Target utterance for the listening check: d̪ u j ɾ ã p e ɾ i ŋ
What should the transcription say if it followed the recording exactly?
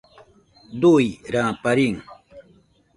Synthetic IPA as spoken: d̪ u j ɾ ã p a ɾ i ŋ